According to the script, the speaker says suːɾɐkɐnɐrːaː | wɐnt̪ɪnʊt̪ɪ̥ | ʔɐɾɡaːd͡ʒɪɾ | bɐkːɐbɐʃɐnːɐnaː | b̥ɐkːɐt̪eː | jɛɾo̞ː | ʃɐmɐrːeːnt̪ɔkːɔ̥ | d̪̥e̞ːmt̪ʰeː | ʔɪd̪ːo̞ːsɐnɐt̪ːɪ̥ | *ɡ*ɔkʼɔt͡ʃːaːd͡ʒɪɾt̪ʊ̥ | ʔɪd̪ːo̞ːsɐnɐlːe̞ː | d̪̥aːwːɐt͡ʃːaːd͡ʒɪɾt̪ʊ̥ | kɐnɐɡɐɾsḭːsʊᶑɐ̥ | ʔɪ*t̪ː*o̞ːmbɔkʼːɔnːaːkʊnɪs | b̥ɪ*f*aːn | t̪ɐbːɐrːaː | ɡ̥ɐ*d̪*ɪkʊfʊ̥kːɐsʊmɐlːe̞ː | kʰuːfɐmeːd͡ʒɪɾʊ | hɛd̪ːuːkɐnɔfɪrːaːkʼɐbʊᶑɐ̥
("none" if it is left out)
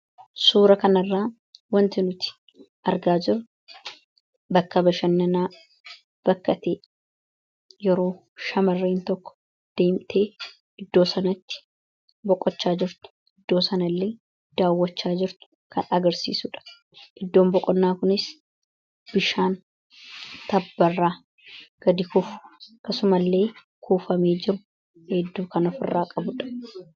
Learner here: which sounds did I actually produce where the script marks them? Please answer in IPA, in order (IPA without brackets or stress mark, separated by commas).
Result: b, d̪ː, ʃ, d̪